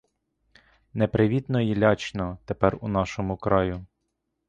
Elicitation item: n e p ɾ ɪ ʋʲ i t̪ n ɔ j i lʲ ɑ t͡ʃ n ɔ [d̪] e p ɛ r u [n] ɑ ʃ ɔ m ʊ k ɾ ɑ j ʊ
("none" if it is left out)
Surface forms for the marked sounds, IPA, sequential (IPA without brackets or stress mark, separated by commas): t̪, n